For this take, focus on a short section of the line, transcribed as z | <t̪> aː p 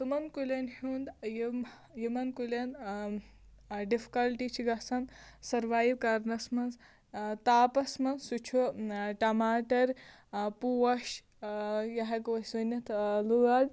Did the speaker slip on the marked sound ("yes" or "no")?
no